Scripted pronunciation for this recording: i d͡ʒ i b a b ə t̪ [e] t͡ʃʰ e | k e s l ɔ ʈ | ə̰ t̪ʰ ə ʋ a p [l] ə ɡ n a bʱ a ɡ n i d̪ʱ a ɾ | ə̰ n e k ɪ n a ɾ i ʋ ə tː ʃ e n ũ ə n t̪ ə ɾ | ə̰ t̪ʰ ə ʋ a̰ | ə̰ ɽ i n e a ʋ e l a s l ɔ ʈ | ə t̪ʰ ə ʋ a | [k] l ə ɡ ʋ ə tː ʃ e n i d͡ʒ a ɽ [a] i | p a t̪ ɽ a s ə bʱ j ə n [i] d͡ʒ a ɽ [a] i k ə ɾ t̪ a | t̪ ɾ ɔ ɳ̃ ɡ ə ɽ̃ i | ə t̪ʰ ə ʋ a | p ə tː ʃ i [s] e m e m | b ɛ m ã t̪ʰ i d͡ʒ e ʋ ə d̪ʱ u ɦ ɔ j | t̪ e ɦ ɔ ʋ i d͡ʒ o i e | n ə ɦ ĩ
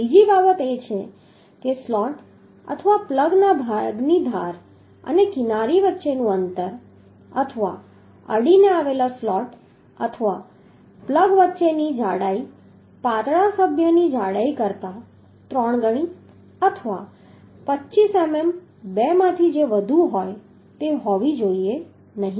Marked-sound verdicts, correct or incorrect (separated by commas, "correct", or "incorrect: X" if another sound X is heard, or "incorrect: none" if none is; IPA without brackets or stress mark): correct, correct, incorrect: p, correct, correct, correct, correct